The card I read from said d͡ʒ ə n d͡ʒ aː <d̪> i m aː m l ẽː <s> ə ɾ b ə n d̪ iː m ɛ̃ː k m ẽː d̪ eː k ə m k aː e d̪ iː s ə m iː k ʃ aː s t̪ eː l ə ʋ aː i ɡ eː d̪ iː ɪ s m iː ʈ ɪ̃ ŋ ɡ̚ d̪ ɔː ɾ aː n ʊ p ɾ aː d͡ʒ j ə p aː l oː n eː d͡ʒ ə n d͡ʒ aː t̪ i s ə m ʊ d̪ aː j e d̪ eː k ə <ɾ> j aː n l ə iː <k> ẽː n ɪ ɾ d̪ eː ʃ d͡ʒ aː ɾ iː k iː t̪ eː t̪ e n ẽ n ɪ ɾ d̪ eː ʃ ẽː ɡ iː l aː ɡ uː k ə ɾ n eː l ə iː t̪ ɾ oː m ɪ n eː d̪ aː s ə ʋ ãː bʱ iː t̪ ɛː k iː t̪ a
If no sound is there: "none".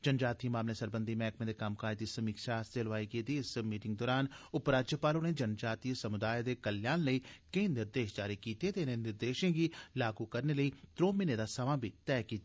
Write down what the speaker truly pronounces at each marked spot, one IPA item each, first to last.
t̪, s, l, k

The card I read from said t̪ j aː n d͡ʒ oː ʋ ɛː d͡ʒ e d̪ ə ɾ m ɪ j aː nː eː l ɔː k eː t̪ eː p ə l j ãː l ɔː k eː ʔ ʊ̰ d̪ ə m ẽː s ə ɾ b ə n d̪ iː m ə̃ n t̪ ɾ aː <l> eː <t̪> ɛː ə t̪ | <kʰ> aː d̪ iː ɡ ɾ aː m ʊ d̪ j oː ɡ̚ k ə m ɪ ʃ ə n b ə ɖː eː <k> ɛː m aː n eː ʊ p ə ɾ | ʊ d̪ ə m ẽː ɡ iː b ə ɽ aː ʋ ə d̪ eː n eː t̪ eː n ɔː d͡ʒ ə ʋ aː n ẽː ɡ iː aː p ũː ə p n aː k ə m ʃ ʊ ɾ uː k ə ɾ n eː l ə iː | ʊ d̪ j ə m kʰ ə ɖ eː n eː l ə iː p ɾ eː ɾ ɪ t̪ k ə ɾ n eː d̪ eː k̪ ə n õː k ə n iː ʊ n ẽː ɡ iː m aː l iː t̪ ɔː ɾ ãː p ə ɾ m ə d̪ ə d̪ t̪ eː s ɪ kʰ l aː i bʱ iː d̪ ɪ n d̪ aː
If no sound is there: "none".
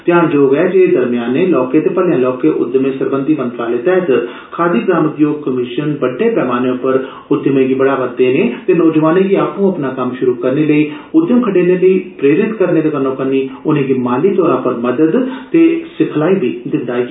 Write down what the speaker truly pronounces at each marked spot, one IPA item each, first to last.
l, t̪, kʰ, p

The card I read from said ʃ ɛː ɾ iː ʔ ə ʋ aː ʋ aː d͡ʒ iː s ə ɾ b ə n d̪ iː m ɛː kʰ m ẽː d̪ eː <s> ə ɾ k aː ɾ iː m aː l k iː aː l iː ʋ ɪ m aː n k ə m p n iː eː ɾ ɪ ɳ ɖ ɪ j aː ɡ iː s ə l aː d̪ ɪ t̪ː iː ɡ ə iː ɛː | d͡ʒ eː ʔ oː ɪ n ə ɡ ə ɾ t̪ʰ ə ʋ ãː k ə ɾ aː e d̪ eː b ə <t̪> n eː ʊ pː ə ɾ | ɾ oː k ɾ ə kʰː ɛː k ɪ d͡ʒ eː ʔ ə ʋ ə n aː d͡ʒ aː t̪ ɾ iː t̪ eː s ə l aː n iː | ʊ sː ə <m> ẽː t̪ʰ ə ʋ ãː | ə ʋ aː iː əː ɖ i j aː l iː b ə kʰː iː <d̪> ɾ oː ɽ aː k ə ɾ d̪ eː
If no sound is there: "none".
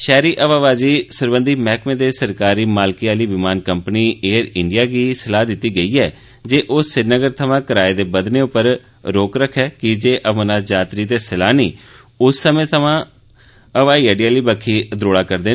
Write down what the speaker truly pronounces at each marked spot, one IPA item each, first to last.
s, d̪, m, d̪

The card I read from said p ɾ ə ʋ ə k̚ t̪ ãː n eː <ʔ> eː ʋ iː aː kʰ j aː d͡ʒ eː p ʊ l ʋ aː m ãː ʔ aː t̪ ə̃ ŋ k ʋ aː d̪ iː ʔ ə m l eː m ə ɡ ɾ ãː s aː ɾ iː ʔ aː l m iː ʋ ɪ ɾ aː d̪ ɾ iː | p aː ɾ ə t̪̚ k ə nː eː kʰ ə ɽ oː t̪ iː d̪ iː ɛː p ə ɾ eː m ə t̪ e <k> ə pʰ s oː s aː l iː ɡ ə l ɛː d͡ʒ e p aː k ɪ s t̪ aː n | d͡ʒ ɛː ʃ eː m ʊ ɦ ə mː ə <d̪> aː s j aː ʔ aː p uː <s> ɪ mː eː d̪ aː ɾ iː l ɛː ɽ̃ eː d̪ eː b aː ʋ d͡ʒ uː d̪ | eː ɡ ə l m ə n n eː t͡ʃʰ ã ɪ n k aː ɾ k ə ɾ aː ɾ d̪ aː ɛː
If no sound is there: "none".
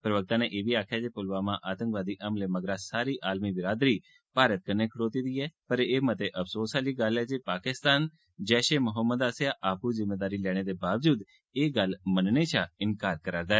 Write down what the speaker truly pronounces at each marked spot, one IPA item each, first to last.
ʔ, ʔ, d̪, z

